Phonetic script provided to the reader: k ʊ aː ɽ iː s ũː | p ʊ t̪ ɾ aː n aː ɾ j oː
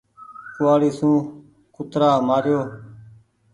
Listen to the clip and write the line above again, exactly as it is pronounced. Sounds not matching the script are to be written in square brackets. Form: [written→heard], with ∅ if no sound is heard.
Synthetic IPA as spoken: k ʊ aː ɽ iː s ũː | [p→k] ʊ t̪ ɾ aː [n→m] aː ɾ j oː

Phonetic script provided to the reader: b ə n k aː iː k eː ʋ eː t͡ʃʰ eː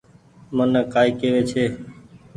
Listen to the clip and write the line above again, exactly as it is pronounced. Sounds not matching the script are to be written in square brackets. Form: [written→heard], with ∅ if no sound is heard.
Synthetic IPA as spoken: [b→m] ə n k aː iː k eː ʋ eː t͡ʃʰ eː

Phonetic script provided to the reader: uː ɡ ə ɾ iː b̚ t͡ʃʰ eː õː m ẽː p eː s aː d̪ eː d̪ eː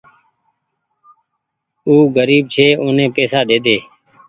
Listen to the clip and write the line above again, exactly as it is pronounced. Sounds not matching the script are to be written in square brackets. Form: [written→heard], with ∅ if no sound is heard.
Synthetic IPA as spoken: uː ɡ ə ɾ iː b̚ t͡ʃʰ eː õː [m→n] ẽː p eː s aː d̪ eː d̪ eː

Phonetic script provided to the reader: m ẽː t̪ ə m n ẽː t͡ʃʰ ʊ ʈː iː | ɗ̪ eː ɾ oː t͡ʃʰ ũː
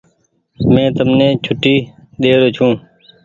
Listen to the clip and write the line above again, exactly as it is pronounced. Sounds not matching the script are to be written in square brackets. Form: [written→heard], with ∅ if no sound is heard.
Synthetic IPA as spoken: m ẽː t̪ ə m n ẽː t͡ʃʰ ʊ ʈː iː | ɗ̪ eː ɾ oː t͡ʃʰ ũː

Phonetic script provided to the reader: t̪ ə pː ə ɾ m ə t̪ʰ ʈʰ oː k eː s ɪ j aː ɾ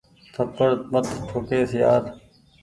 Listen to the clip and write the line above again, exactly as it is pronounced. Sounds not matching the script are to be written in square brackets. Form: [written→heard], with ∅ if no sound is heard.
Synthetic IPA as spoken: [t̪→t̪ʰ] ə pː ə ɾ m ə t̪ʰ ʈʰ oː k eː s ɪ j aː ɾ

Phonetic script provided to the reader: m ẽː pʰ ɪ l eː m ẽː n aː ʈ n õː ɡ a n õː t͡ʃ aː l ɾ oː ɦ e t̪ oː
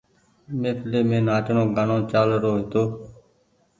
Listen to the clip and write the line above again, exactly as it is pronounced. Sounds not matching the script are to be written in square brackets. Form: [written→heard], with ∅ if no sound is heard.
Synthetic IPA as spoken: m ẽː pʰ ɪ l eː m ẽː n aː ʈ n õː ɡ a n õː t͡ʃ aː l ɾ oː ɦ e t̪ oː

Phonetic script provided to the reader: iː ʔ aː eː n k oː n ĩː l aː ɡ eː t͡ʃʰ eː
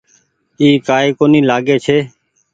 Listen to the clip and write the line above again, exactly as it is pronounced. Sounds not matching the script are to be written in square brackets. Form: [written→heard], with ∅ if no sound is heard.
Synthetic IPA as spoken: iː [ʔ→k] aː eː [n→∅] k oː n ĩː l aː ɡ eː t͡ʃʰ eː

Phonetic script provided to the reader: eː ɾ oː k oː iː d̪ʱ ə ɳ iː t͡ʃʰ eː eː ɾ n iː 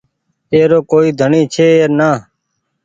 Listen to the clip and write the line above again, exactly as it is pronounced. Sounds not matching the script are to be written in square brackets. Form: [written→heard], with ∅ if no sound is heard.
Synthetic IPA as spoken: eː ɾ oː k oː iː d̪ʱ ə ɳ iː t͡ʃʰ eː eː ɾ n [iː→aː]

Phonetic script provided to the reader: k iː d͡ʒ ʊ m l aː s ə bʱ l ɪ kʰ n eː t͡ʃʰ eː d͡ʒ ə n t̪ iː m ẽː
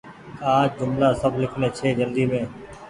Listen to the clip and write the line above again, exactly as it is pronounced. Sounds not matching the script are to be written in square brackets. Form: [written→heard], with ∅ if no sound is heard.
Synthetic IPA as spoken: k [iː→aː] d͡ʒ ʊ m l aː s ə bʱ l ɪ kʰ n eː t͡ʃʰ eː d͡ʒ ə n [t̪→d̪] iː m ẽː

